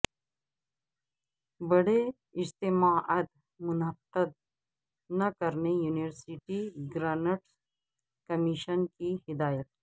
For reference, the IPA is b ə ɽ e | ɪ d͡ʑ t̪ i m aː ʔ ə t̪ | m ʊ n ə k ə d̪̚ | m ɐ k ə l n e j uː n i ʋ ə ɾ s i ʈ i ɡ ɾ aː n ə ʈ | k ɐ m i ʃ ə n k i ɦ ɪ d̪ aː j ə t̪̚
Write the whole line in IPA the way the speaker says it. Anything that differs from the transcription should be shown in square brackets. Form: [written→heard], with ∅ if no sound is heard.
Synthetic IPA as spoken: b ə ɽ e | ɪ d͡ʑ t̪ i m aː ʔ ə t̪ | m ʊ n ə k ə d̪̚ | [m→n] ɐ k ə [l→ɾ] n e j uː n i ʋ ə ɾ s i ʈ i ɡ ɾ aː n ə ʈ | k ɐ m i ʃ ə n k i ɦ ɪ d̪ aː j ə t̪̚